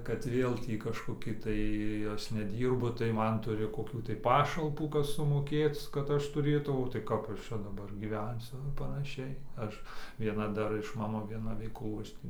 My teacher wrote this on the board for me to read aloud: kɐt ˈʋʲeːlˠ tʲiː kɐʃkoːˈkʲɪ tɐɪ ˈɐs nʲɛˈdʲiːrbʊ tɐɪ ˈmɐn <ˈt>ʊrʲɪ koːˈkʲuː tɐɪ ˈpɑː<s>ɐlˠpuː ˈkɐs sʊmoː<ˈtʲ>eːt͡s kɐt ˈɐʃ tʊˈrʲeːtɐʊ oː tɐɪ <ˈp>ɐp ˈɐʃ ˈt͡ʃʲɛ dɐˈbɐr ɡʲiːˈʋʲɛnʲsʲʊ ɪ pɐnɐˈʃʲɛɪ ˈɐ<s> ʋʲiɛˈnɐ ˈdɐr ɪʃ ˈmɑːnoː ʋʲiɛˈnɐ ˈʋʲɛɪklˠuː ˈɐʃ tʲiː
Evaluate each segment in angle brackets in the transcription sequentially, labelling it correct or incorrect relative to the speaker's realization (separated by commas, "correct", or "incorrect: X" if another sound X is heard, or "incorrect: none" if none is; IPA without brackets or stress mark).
correct, incorrect: ʃ, incorrect: kʲ, incorrect: k, incorrect: ʃ